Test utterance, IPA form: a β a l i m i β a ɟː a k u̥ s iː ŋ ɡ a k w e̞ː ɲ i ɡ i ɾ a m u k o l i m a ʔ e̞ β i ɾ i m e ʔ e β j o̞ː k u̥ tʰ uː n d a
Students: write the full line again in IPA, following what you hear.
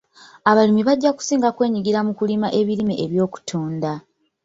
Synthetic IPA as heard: a β a l i m i β a ɟː a k u̥ s iː ŋ ɡ a k w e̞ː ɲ i ɡ i ɾ a m u k u l i m a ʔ e̞ β i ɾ i m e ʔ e β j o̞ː k u̥ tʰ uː n d a